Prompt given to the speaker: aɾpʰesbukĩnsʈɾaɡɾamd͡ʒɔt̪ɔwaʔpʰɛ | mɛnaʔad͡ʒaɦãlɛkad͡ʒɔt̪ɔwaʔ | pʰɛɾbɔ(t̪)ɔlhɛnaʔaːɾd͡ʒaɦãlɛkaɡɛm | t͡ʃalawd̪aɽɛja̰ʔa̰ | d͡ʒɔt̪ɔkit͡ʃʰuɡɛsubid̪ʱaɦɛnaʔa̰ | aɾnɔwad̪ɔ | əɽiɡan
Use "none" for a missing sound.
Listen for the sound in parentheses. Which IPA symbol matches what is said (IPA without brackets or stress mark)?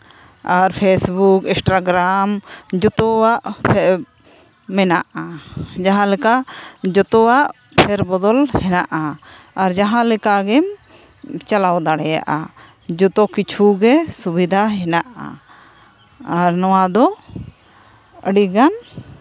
d̪